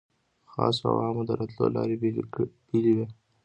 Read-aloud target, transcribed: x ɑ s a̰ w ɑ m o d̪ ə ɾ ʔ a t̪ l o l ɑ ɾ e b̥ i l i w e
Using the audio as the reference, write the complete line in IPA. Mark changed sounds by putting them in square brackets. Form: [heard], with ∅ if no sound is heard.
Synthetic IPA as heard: x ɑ s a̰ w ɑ m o d̪ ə ɾ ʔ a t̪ l o l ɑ ɾ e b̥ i l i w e